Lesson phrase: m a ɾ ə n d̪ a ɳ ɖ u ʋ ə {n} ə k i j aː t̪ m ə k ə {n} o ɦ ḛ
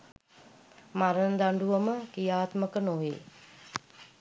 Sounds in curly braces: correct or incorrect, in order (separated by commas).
incorrect, correct